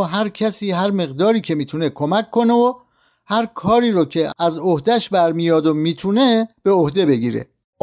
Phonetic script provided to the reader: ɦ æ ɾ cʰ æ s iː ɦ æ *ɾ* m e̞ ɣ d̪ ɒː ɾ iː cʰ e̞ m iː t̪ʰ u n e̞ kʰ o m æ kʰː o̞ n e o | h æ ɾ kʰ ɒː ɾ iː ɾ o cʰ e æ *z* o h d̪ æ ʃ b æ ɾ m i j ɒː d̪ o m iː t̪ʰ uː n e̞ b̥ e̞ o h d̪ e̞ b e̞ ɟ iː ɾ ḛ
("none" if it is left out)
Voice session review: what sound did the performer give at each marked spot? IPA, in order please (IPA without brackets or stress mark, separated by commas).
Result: ɾ, z